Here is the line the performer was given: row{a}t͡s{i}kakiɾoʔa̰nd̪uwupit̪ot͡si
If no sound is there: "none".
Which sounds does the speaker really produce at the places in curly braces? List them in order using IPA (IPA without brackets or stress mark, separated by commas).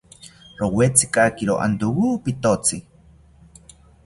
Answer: e, i